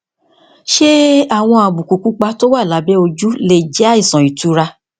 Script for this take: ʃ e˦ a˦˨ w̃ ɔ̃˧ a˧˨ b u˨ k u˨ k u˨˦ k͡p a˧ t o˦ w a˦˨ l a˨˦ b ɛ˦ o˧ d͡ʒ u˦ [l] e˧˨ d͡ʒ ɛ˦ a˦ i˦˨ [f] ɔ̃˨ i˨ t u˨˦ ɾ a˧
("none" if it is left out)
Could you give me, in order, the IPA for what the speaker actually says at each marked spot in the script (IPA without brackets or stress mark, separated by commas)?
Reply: l, s